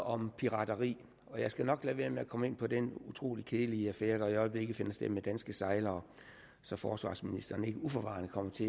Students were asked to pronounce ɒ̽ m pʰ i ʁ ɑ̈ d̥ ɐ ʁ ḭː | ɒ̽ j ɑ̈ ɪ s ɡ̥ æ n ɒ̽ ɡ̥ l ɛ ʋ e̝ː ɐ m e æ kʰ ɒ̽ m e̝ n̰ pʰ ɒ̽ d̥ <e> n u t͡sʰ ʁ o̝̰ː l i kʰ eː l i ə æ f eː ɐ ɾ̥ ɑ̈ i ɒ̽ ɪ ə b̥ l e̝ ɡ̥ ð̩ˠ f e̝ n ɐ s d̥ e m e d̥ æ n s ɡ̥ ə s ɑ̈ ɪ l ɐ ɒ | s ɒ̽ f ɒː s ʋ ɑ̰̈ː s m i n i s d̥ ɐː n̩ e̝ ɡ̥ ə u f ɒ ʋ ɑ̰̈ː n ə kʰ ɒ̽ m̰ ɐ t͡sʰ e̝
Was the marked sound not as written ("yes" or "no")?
no